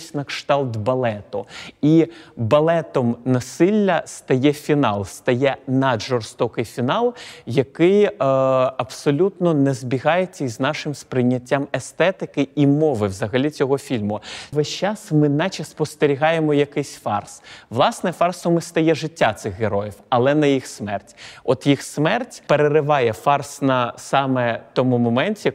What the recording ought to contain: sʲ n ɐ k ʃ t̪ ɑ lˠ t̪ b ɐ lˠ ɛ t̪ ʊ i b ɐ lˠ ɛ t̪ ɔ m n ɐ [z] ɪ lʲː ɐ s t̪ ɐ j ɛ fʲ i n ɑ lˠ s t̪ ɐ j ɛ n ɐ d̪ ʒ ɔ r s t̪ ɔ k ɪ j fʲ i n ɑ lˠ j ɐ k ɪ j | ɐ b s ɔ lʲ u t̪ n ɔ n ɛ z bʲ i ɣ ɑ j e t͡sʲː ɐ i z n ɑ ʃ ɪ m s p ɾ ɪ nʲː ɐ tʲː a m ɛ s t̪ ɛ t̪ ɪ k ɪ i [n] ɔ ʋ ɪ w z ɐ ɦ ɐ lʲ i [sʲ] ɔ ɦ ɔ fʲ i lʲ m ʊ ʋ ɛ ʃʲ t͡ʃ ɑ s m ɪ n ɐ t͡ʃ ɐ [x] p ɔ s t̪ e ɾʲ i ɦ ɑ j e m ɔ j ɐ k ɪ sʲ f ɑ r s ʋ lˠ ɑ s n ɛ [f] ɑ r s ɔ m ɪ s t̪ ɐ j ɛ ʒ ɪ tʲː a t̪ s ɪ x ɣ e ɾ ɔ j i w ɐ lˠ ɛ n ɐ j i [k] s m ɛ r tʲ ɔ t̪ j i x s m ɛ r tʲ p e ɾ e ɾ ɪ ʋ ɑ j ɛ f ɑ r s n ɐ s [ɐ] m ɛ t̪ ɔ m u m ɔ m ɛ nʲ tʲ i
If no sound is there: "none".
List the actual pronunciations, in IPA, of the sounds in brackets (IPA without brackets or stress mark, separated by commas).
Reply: s, m, t͡sʲ, s, f, x, ɑ